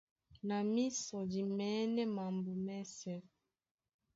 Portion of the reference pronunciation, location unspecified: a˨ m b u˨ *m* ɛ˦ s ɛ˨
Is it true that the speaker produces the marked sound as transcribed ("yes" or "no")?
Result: yes